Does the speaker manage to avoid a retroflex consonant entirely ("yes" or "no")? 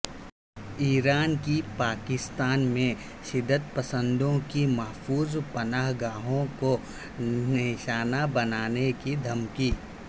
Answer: yes